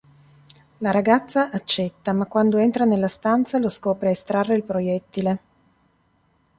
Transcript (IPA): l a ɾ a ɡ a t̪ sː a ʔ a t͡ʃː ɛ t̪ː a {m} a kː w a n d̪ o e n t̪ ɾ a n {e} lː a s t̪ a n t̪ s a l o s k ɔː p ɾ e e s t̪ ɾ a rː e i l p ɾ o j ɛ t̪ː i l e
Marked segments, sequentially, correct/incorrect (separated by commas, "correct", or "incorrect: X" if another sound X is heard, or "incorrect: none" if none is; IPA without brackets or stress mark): correct, correct